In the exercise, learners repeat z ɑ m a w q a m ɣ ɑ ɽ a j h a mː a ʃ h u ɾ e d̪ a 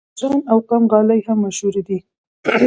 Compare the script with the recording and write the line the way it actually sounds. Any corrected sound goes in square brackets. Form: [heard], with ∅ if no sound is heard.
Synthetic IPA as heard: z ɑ [n] a w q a m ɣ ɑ [l] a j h a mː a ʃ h u ɾ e d̪ [i]